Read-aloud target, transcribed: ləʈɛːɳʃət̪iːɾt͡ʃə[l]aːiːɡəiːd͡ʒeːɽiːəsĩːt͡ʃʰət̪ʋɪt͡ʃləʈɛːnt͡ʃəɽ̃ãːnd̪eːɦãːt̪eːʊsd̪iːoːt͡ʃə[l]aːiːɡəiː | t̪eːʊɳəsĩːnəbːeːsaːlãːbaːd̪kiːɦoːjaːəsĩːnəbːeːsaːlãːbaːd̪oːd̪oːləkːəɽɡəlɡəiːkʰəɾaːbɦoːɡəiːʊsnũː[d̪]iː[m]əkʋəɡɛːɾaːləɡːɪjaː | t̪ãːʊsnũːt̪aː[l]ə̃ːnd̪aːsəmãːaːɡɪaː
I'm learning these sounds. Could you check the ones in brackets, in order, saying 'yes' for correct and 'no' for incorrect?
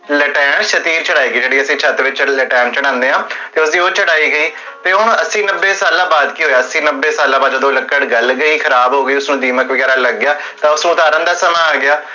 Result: no, no, yes, yes, no

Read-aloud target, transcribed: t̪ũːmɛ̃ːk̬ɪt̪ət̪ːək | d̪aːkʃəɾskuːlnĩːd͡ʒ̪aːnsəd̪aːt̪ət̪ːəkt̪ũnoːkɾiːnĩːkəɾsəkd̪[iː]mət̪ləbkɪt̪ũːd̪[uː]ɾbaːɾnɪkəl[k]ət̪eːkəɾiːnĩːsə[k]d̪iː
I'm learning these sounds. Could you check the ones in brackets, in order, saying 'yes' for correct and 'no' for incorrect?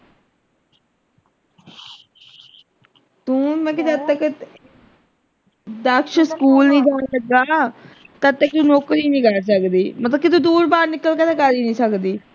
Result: yes, yes, yes, yes

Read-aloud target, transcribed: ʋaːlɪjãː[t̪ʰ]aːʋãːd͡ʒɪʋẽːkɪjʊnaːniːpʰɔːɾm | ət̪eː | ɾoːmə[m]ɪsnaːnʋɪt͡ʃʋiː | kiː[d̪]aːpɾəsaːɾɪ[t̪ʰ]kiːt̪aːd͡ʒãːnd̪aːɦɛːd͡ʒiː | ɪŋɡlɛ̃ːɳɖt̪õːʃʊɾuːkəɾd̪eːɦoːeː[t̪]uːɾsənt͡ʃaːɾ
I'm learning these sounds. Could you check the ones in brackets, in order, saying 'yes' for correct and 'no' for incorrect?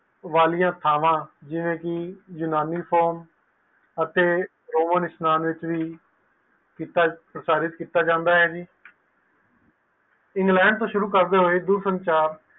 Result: yes, no, no, no, no

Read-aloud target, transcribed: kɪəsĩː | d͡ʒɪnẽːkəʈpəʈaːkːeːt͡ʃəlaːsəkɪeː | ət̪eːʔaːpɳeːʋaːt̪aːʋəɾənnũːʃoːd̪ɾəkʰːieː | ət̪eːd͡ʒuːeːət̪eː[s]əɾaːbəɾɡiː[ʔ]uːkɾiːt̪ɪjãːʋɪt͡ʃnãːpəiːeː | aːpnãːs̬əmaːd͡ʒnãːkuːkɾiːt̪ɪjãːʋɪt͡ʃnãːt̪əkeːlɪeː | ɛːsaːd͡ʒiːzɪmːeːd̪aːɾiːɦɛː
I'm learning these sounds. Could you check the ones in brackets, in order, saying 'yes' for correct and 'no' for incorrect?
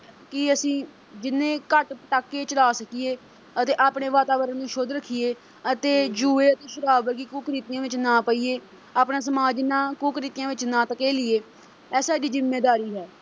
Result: no, no

